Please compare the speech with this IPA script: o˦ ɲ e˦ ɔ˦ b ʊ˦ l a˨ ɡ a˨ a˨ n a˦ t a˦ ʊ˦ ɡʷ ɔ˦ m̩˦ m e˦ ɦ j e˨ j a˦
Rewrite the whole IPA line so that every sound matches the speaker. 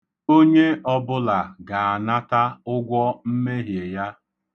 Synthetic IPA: o˦ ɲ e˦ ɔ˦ b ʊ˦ l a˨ ɡ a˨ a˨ n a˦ t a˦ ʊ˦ ɡʷ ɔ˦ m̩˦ m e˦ ɦ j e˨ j a˦